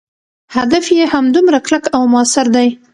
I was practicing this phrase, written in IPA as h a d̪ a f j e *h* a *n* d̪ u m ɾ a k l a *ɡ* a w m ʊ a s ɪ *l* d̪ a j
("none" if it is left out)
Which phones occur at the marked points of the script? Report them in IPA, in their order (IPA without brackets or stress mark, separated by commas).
h, m, k, ɾ